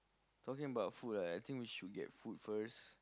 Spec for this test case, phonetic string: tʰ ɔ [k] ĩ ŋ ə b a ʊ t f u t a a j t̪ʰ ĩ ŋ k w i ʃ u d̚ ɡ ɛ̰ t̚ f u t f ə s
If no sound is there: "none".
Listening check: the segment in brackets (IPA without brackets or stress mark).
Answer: k